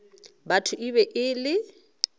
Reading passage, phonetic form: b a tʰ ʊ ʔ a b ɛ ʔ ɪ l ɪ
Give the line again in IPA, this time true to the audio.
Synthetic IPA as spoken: b a tʰ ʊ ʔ i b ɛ ʔ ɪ l ɪ